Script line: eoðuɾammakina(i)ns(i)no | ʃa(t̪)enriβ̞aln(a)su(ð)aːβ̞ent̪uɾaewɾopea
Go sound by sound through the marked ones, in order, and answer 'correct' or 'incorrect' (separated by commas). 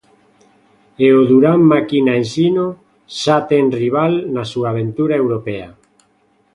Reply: incorrect, correct, correct, correct, incorrect